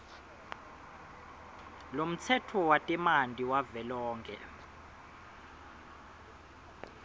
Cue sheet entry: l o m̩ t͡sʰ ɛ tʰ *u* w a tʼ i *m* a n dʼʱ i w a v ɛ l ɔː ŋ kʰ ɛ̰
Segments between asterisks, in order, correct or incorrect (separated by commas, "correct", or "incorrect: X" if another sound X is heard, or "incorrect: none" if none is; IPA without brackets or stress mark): incorrect: ɔ, correct